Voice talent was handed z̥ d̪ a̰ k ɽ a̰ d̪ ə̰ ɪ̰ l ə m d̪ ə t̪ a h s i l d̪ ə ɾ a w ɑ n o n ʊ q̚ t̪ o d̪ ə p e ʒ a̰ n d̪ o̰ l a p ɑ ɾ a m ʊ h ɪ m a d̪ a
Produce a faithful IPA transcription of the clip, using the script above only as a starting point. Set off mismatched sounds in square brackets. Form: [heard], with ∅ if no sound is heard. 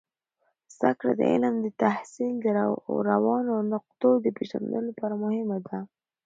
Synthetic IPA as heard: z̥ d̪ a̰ k ɽ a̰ d̪ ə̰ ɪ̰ l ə m d̪ ə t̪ a h s i l d̪ ə ɾ a w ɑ n o n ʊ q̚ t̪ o d̪ ə p e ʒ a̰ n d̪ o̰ l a p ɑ ɾ a m ʊ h ɪ m a d̪ a

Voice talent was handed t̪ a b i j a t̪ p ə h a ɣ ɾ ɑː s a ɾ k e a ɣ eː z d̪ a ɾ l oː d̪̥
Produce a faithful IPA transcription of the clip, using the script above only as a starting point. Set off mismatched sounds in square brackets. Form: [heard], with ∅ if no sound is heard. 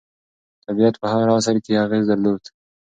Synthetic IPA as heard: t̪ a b i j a t̪ p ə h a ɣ ɾ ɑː s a ɾ k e a ɣ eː z d̪ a ɾ l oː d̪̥

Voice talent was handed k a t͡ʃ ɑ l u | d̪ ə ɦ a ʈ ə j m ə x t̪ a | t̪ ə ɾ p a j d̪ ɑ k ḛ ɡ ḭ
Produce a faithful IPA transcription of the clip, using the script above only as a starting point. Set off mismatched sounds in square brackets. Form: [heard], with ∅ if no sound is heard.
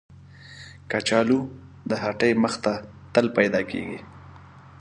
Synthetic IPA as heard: k a t͡ʃ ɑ l u | d̪ ə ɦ a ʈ ə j m ə x t̪ a | t̪ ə [l] p a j d̪ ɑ k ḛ ɡ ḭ

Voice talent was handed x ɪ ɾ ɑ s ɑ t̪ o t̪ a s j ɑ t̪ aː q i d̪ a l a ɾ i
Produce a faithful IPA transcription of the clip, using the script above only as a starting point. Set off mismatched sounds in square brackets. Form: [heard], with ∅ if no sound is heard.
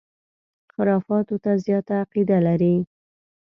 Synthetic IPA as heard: x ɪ ɾ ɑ [f] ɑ t̪ o t̪ a [z] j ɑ t̪ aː q i d̪ a l a ɾ i

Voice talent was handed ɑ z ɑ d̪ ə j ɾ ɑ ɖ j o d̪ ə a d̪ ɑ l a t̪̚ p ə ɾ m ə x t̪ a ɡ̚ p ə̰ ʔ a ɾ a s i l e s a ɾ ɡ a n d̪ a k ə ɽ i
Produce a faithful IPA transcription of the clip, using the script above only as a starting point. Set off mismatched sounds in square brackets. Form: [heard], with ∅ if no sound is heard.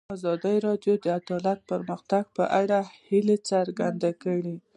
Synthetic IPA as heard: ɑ z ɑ d̪ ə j ɾ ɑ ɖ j o d̪ ə a d̪ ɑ l a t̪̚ p ə ɾ m ə x t̪ a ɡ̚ p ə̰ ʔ a [ɽ] a [h] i l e [t͡s] a ɾ ɡ a n d̪ a k ə ɽ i

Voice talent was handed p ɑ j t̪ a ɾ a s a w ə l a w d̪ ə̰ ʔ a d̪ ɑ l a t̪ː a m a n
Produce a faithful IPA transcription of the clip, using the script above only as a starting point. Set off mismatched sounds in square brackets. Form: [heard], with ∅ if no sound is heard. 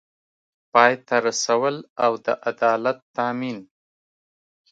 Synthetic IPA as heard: p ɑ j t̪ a ɾ a s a w ə l a w d̪ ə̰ ʔ a d̪ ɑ l a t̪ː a m [i] n

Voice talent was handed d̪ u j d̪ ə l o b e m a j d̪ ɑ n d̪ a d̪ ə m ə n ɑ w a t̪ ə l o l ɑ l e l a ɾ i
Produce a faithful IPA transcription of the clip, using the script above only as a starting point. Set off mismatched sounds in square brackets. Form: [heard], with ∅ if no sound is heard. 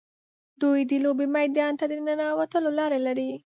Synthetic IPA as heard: d̪ u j d̪ ə l o b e m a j d̪ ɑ n [t̪] a d̪ ə [n] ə n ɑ w a t̪ ə l o l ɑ [ɾ] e l a ɾ i

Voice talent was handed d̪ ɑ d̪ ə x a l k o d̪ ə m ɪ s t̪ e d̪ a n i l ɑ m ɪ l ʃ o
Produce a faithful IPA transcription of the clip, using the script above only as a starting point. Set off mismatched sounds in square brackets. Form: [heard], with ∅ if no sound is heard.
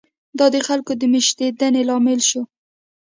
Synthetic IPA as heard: d̪ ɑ d̪ ə x a l k o d̪ ə m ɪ [ʃ] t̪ e d̪ a n [e] l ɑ m ɪ l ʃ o

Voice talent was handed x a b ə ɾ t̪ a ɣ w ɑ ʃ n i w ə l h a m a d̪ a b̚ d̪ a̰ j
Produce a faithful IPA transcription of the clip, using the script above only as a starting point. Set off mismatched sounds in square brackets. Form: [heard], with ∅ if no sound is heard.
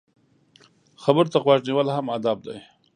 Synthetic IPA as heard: x a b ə ɾ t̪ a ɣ w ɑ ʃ n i w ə l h a m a d̪ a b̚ d̪ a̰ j

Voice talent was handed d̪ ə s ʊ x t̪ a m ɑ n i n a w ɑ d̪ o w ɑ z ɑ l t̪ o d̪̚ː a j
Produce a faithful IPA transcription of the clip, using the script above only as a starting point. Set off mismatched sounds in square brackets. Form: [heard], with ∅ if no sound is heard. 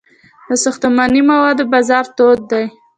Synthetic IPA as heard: d̪ ə s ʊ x t̪ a m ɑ n i [m] a w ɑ d̪ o [b] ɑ z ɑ [ɾ] t̪ o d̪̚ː a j

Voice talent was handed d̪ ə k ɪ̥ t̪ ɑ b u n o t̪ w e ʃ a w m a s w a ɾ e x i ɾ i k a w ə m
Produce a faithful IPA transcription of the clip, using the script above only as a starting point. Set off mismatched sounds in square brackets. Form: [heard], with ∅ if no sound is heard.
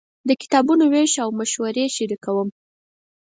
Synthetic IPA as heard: d̪ ə k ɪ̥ t̪ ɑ b u n o [∅] w e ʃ a w m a [ʃ] w a ɾ e [ʃ] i ɾ i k a w ə m

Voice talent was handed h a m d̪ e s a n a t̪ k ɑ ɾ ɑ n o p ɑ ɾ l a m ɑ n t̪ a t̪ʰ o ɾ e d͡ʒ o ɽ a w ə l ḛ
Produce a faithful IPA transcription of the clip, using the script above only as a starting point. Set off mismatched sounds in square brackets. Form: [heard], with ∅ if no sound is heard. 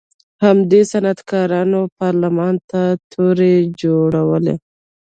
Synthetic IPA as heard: h a m d̪ e s a n a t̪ k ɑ ɾ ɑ n o p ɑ ɾ l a m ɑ n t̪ a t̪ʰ o ɾ e d͡ʒ o ɽ a w ə l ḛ

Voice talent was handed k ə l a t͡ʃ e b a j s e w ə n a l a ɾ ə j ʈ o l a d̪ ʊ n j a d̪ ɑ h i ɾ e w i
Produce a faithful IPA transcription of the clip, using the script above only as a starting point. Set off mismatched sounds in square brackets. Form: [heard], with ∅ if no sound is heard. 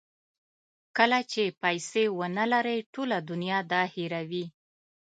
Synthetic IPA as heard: k ə l a t͡ʃ e [p] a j s e w ə n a l a ɾ ə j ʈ o l a d̪ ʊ n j [ɑ] d̪ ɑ h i ɾ [a] w i

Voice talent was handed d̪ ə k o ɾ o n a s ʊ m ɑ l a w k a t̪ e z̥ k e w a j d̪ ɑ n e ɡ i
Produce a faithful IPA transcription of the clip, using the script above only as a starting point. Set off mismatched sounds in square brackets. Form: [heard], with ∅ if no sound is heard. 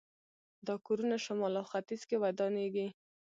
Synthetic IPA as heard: d̪ [ɑ] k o ɾ [u] n a [ʃ] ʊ m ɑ l a w [x] a t̪ [i] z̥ k e w a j d̪ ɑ n e ɡ i

